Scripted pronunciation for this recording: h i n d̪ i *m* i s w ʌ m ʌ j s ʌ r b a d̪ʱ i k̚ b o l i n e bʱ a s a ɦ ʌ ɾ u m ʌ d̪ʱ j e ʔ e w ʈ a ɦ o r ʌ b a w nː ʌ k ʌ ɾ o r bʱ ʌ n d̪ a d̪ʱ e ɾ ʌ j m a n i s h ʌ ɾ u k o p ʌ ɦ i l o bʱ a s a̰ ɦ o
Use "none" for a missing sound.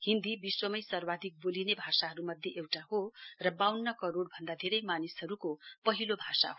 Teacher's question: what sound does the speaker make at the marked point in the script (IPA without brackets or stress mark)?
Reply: b